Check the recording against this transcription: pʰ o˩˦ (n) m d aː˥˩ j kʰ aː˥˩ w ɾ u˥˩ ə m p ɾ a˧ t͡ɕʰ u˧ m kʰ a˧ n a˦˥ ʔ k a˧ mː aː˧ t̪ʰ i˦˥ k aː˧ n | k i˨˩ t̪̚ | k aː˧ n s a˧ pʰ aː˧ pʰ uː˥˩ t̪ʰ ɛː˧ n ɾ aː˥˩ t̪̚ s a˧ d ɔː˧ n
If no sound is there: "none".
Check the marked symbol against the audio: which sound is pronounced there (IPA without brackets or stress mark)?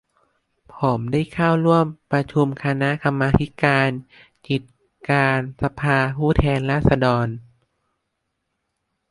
none